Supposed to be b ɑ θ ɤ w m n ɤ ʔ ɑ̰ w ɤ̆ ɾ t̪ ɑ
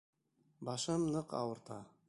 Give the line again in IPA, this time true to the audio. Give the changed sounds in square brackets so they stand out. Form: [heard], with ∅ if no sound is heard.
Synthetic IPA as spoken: b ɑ [ʃ] ɤ [∅] m n ɤ [q] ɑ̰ w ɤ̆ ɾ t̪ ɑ